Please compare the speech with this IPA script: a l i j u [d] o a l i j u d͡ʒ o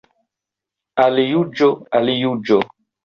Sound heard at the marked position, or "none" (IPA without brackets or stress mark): d͡ʒ